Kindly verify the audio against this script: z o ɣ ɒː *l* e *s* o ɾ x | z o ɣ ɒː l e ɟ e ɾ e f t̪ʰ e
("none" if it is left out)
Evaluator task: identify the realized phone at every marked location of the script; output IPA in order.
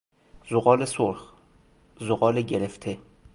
l, s

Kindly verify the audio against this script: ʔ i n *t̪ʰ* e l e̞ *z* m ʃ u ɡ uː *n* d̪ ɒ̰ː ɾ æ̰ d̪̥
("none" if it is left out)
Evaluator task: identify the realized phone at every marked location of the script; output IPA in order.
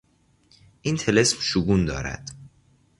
t̪ʰ, s, n

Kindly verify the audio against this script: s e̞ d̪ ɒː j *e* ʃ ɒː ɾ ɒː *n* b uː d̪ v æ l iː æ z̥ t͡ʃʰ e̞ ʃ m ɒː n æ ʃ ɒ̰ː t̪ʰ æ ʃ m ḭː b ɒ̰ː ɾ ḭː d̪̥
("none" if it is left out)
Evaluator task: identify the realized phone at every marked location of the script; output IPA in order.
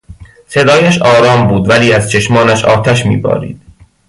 æ, m

